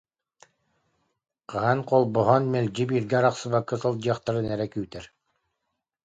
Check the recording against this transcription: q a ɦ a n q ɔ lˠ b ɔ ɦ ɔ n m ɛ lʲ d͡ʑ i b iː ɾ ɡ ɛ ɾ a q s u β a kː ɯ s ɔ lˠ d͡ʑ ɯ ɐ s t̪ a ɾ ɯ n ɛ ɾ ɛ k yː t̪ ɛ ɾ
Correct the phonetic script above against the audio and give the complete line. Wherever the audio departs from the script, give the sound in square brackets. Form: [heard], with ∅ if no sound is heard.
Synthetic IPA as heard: q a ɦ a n q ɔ lˠ b ɔ ɦ ɔ n m ɛ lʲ d͡ʑ i b iː ɾ ɡ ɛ ɾ a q s [ɯ] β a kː ɯ s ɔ lˠ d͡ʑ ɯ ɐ [χ] t̪ a ɾ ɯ n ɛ ɾ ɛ k yː t̪ ɛ ɾ